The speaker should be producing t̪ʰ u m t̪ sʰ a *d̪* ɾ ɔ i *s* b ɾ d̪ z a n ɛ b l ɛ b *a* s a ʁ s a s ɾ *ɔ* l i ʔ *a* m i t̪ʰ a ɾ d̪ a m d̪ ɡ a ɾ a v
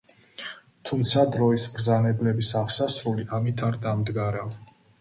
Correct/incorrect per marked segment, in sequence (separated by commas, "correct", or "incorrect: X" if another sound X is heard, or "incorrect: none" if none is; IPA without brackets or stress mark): correct, correct, incorrect: i, incorrect: u, correct